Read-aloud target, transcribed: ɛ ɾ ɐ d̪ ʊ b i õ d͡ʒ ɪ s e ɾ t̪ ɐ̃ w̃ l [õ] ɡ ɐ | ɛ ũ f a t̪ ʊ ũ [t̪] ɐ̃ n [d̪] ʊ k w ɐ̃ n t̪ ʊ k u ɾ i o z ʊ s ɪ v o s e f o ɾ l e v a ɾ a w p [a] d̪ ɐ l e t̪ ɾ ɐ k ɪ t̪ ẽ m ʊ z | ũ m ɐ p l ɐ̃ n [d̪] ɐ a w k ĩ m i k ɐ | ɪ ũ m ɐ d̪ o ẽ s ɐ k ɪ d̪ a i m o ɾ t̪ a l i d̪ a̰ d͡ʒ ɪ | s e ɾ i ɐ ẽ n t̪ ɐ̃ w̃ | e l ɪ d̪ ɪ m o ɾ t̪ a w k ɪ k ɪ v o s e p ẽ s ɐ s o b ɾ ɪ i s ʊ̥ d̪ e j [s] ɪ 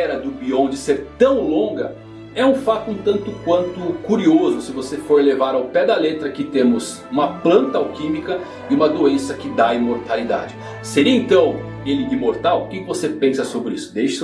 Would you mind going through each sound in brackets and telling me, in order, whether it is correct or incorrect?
correct, correct, incorrect, incorrect, incorrect, incorrect

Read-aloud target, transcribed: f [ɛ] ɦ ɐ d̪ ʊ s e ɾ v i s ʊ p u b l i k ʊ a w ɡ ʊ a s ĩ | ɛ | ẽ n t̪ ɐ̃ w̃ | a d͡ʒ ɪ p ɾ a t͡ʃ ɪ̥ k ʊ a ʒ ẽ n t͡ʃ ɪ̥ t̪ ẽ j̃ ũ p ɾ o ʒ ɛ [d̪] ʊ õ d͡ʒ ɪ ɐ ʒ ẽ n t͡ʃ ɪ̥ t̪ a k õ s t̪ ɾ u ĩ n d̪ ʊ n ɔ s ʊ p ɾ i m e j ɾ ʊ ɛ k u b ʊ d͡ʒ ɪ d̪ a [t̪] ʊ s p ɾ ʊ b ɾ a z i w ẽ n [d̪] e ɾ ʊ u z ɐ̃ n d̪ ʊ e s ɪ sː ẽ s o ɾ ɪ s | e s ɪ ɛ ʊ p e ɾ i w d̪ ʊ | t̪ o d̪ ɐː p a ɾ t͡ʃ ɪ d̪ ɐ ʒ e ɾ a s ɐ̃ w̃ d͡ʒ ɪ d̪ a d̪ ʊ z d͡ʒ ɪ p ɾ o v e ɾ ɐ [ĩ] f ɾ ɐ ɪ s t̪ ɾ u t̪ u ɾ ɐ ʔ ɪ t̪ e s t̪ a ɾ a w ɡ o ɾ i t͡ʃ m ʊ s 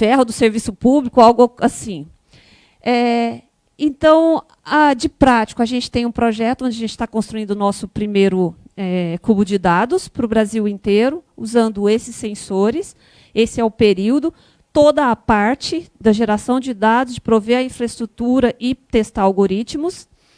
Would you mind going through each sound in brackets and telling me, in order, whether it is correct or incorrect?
correct, incorrect, incorrect, incorrect, correct

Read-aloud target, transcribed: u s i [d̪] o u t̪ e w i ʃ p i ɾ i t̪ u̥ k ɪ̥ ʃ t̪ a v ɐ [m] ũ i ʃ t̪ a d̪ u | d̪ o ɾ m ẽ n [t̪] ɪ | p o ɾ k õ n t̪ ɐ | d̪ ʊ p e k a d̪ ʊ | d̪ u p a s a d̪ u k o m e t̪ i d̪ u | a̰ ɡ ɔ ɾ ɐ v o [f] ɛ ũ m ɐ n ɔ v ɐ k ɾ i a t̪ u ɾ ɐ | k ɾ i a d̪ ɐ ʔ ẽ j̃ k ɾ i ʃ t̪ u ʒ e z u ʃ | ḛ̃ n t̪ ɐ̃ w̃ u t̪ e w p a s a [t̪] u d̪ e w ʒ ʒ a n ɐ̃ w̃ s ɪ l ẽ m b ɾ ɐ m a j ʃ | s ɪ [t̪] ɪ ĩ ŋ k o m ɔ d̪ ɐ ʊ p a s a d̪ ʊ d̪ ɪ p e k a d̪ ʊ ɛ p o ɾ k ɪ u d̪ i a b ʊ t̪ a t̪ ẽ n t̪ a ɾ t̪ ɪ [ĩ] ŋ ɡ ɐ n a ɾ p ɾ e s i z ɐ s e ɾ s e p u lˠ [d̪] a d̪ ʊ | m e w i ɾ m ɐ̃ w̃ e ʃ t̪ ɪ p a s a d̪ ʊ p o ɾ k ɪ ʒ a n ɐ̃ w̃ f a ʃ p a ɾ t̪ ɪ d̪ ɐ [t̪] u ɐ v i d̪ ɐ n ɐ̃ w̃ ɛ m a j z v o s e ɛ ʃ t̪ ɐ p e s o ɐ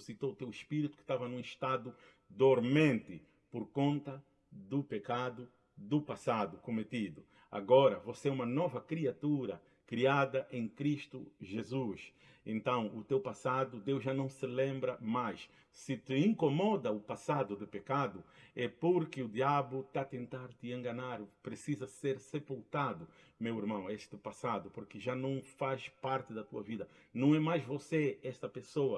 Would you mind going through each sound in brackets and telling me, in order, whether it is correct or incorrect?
incorrect, incorrect, correct, incorrect, incorrect, correct, incorrect, incorrect, correct

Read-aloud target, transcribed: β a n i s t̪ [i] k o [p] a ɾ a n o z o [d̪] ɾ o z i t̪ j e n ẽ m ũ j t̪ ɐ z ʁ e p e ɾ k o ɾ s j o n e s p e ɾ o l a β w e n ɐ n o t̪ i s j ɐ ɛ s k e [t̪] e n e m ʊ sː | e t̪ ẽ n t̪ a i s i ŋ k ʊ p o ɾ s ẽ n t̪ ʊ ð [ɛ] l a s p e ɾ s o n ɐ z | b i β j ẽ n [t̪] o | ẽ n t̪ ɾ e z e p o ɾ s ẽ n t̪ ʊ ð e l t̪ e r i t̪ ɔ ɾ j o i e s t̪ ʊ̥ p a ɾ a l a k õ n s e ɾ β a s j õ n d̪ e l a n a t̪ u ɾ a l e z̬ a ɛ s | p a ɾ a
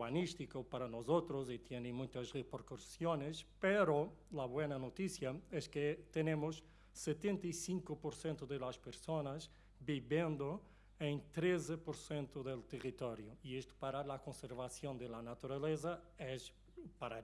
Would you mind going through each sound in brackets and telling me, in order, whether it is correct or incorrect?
correct, correct, incorrect, correct, incorrect, incorrect

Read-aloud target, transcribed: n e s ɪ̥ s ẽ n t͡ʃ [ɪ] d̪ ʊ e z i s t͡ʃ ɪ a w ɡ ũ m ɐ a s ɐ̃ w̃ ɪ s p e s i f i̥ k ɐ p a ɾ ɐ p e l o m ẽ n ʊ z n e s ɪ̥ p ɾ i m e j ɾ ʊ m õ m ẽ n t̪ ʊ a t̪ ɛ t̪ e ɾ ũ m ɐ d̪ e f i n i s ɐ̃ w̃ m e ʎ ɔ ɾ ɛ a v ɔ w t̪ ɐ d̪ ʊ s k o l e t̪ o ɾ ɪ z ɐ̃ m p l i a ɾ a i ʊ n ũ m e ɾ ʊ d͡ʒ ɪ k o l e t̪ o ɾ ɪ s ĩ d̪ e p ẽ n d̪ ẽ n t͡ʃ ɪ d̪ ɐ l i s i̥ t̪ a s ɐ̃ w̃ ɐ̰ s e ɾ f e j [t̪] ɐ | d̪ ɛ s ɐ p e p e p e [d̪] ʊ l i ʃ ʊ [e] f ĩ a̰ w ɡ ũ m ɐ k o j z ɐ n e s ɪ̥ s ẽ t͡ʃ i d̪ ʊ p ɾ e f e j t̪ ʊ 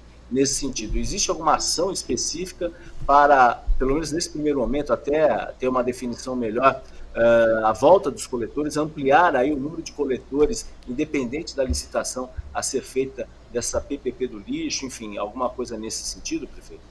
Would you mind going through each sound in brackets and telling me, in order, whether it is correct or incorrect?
incorrect, correct, correct, incorrect

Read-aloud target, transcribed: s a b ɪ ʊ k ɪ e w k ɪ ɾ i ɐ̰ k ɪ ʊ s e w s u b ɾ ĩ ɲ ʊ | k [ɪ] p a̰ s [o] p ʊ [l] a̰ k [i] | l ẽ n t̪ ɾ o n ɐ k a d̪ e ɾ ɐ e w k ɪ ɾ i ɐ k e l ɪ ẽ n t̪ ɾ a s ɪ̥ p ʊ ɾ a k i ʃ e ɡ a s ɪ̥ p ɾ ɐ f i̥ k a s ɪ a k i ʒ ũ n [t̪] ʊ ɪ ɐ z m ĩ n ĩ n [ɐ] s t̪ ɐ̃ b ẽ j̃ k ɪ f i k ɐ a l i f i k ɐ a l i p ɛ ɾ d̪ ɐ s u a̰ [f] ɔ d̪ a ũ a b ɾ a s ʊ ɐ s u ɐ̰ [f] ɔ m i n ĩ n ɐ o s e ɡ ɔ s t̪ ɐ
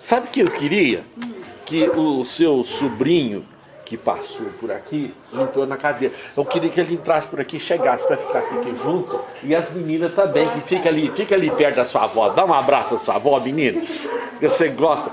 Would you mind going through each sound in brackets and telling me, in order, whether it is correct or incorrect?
correct, correct, incorrect, correct, correct, correct, incorrect, incorrect

